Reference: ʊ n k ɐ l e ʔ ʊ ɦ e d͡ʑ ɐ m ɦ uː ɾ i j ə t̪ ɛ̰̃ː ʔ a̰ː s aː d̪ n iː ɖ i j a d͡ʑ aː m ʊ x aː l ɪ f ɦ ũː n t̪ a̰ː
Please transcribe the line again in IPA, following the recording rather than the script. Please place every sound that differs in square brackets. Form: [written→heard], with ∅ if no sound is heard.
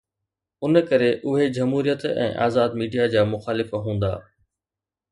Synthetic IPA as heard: ʊ n k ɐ [l→ɾ] e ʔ ʊ ɦ e d͡ʑ ɐ m ɦ uː ɾ i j ə t̪ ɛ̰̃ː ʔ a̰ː [s→z] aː d̪ [n→m] iː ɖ i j a d͡ʑ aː m ʊ x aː l ɪ f ɦ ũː n [t̪→d̪] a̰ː